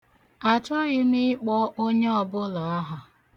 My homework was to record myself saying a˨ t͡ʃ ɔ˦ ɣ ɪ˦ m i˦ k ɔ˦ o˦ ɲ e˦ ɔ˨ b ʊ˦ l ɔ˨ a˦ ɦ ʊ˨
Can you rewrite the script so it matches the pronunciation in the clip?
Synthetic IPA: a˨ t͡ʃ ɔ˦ ɣ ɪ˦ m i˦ k͡p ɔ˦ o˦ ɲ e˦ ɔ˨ b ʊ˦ l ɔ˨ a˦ ɦ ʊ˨